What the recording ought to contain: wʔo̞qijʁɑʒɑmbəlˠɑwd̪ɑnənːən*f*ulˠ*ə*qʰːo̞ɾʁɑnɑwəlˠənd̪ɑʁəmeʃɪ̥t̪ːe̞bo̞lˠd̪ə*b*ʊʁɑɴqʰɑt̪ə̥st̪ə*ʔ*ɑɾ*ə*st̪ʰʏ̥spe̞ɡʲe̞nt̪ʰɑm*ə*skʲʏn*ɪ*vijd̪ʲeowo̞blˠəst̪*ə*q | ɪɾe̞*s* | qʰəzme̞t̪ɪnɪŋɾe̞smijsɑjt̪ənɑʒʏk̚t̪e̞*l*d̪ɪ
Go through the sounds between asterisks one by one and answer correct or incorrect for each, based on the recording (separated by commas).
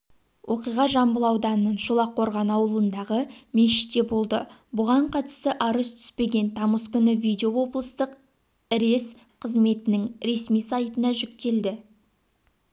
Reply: incorrect, incorrect, correct, correct, correct, correct, correct, correct, correct, correct